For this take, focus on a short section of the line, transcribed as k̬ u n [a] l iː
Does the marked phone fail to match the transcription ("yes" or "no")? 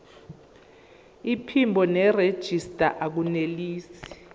yes